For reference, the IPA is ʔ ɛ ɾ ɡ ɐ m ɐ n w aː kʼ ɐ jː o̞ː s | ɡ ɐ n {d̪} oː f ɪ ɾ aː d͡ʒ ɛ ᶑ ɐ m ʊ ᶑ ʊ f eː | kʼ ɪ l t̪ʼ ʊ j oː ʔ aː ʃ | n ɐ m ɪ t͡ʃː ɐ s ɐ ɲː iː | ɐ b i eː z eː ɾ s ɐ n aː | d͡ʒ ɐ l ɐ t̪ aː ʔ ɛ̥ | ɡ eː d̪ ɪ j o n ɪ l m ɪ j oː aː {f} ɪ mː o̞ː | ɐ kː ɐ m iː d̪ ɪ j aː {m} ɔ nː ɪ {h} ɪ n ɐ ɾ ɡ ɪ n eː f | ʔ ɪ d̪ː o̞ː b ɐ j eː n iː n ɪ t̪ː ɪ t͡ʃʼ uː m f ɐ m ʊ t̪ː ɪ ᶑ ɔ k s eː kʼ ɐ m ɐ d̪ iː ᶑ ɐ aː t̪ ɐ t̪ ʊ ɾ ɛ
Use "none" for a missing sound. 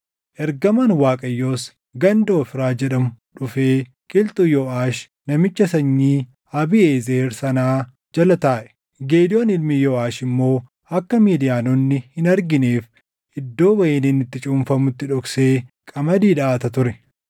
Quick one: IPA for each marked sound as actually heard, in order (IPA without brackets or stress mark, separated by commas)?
d̪, ʃ, n, h